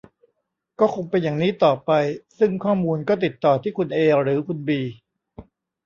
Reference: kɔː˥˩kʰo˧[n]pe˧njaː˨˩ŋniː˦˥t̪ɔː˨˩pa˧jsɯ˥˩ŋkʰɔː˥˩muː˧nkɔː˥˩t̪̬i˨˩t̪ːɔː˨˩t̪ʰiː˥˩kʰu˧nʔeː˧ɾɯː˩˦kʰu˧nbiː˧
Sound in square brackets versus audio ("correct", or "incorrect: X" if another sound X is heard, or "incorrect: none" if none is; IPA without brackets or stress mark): incorrect: ŋ